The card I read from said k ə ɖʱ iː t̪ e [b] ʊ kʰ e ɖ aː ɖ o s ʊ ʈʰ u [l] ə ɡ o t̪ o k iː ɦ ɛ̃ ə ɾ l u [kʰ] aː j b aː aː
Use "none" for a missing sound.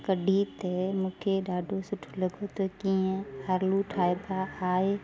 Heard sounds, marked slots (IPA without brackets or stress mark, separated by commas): m, l, ʈʰ